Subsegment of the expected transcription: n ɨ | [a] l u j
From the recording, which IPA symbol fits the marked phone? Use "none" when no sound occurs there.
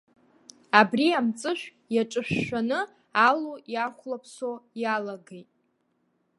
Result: a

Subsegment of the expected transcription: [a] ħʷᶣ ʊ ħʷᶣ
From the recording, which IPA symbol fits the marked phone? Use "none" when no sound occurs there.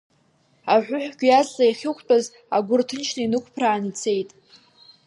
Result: a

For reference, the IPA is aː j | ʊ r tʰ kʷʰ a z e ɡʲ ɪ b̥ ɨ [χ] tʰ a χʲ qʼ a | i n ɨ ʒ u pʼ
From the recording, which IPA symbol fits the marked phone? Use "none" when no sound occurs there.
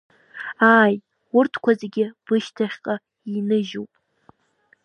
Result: ʃ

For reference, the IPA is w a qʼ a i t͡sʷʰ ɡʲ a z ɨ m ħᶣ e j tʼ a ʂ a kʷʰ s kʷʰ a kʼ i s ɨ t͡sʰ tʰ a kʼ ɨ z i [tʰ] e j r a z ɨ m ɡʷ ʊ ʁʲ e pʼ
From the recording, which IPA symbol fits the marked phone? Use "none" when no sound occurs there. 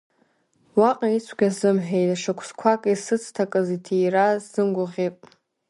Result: tʰ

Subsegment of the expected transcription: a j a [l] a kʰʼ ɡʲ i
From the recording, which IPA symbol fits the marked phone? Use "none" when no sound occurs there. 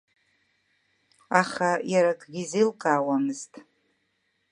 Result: ɾ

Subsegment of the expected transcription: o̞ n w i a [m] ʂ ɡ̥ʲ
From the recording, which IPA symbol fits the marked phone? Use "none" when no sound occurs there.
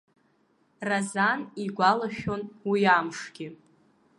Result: m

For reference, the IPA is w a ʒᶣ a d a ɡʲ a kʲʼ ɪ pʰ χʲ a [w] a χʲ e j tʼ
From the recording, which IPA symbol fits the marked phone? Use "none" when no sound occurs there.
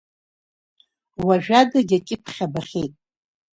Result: b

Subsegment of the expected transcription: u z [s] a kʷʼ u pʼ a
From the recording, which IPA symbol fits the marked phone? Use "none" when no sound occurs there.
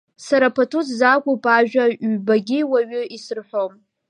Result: z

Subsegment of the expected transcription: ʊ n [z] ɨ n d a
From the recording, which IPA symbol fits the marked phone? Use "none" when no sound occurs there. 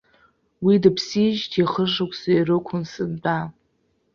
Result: s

